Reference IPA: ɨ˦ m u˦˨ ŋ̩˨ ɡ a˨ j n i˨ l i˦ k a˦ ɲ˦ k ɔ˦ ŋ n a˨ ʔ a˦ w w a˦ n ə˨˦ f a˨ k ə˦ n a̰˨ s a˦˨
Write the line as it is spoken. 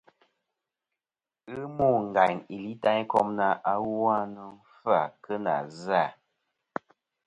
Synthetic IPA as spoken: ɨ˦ m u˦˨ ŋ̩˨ ɡ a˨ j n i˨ l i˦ t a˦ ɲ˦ k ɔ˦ m n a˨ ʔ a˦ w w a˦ n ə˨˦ f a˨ k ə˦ n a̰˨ z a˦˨